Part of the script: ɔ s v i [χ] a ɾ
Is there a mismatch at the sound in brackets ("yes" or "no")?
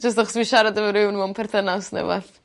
yes